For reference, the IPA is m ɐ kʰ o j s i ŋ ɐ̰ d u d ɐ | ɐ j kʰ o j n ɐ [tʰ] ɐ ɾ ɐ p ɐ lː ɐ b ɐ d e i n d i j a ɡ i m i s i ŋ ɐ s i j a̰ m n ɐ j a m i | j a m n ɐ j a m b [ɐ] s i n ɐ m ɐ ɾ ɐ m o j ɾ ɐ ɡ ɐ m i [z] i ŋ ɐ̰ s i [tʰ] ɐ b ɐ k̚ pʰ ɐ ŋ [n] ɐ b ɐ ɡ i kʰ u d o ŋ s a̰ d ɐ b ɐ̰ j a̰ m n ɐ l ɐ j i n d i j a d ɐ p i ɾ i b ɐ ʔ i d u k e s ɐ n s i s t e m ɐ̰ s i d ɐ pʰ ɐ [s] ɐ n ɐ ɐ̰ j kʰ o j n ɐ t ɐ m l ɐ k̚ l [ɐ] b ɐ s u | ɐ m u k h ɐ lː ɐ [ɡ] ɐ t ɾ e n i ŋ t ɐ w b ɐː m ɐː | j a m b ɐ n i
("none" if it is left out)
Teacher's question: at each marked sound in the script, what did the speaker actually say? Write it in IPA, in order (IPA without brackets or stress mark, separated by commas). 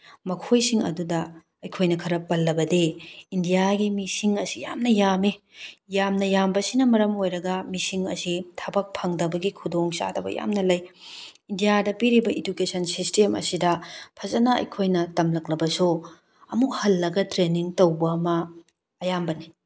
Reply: kʰ, ɐ, s, tʰ, d, z, ɐ, ɡ